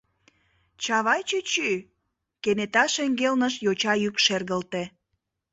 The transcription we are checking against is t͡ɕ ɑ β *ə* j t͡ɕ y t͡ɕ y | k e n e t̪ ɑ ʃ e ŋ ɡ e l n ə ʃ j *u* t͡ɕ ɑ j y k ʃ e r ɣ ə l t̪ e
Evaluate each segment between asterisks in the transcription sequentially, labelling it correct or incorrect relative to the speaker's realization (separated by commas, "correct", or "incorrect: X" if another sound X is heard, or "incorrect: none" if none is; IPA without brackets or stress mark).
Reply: incorrect: ɑ, incorrect: o